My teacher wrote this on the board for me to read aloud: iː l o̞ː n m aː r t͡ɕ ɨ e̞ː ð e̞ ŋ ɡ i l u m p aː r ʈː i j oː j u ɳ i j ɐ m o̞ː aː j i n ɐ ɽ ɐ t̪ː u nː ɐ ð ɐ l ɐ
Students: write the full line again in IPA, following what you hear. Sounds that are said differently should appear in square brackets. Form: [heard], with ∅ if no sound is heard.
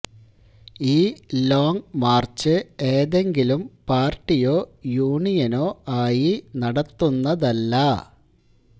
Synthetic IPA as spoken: iː l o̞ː [ŋ] m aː r t͡ɕ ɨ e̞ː ð e̞ ŋ ɡ i l u m p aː r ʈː i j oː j [uː] ɳ i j ɐ [n] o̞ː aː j i n ɐ ɽ ɐ t̪ː u nː ɐ ð ɐ [lː] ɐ